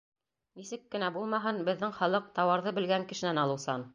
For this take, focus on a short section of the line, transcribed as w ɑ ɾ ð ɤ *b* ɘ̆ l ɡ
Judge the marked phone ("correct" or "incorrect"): correct